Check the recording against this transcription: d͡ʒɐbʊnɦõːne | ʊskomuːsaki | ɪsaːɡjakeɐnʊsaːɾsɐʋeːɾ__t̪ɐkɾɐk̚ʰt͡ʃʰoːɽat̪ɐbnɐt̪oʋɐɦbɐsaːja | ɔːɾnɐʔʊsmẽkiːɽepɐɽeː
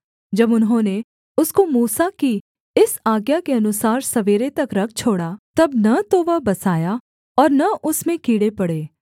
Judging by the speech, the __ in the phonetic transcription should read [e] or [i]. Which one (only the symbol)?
e